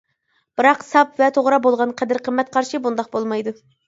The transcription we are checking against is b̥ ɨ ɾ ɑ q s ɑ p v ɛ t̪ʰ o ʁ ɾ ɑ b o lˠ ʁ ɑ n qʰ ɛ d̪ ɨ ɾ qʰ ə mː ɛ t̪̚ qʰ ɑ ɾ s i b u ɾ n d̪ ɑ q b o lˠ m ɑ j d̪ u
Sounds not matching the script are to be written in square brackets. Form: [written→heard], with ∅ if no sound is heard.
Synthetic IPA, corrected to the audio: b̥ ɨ ɾ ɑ q s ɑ p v ɛ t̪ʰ o ʁ ɾ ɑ b o lˠ ʁ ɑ n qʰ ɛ d̪ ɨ ɾ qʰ ə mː ɛ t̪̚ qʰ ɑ ɾ [s→ʃ] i b u [ɾ→∅] n d̪ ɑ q b o lˠ m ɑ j d̪ u